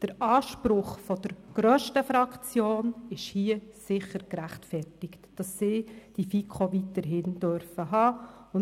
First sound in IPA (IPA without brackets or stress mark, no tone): d̥